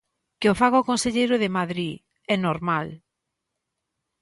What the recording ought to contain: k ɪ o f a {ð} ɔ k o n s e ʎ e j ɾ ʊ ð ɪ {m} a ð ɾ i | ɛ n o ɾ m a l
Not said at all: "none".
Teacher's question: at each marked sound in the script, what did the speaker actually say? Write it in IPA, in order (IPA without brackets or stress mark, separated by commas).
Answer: ɣ, m